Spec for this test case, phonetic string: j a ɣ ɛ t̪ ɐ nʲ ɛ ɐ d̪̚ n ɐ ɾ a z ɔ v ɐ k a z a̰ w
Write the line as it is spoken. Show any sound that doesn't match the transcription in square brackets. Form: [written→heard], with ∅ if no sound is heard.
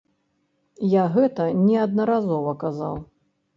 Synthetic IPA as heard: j a ɣ ɛ t̪ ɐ nʲ ɛ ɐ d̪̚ n ɐ ɾ a z ɔ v ɐ k a z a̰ w

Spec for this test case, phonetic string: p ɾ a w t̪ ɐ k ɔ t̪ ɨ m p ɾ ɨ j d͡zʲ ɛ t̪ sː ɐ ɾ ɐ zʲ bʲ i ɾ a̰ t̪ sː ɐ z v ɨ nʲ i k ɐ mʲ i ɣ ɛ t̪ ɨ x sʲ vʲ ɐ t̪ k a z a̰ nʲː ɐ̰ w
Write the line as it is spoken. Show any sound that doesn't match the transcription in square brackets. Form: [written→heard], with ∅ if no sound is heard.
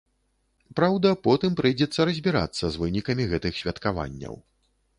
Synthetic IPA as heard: p ɾ a w [t̪→d̪] ɐ [k→p] ɔ t̪ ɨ m p ɾ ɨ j d͡zʲ ɛ t̪ sː ɐ ɾ ɐ zʲ bʲ i ɾ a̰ t̪ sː ɐ z v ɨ nʲ i k ɐ mʲ i ɣ ɛ t̪ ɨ x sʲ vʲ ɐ t̪ k a [z→v] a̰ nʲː ɐ̰ w

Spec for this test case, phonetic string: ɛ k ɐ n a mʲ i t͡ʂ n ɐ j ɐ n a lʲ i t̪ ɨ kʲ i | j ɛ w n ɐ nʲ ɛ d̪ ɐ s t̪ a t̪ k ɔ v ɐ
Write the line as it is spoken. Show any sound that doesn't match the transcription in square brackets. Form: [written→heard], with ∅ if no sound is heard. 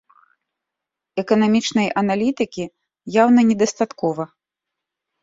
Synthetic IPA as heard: ɛ k ɐ n a mʲ i t͡ʂ n ɐ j ɐ n a lʲ i t̪ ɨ kʲ i | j [ɛ→a] w n ɐ nʲ ɛ d̪ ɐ s t̪ a t̪ k ɔ v ɐ

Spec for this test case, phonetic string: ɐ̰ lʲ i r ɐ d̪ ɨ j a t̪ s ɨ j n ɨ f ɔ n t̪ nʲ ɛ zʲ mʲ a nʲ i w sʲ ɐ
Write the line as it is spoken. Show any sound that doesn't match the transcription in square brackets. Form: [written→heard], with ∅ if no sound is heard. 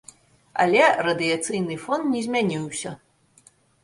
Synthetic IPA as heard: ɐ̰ lʲ [i→ɛ] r ɐ d̪ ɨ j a t̪ s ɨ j n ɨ f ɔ n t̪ nʲ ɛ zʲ mʲ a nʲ i w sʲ ɐ

